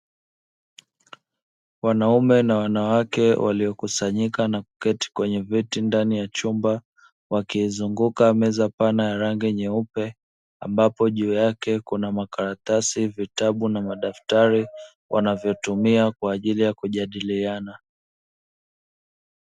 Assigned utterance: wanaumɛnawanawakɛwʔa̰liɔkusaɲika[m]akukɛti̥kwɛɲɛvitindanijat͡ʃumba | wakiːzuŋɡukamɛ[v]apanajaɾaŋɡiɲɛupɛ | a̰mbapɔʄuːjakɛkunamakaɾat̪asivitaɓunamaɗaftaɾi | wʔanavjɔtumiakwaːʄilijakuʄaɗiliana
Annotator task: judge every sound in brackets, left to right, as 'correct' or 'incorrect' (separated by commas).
incorrect, incorrect